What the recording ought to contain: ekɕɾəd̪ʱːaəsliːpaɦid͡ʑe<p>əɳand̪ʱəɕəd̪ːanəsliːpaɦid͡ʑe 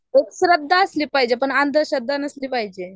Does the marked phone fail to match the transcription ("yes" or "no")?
no